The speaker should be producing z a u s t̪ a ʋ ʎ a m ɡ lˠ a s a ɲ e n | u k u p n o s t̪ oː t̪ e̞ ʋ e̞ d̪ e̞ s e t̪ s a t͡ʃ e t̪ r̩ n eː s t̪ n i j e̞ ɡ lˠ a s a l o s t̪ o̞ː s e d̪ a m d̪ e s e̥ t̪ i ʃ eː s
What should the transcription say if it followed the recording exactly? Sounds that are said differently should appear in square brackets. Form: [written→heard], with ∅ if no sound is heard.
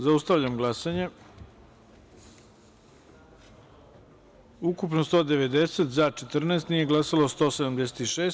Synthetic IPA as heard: z a u s t̪ a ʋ ʎ a m ɡ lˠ a s a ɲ e [n→∅] | u k u p n o s t̪ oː [t̪→d̪] e̞ ʋ e̞ d̪ e̞ s e t̪ [s→z] a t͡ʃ e t̪ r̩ n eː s t̪ n i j e̞ ɡ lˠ a s a l o s t̪ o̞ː s e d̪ a m d̪ e s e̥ t̪ i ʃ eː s